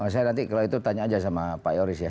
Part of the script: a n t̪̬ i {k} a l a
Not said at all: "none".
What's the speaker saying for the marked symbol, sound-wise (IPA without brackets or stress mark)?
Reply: k